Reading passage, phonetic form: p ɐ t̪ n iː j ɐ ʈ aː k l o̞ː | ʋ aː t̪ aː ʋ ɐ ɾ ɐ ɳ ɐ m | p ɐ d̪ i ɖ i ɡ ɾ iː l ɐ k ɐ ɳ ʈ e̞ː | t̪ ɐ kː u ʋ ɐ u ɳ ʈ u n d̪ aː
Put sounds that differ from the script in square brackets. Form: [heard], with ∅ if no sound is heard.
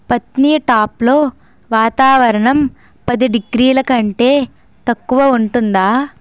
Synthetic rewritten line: p ɐ t̪ n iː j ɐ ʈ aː [p] l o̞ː | ʋ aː t̪ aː ʋ ɐ ɾ ɐ ɳ ɐ m | p ɐ d̪ i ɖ i ɡ ɾ iː l ɐ k ɐ ɳ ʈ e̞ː | t̪ ɐ kː u ʋ ɐ u ɳ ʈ u n d̪ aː